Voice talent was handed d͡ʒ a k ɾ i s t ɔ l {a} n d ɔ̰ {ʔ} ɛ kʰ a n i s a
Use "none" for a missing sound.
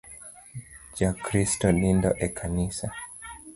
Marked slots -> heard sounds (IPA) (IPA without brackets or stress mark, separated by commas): i, ʔ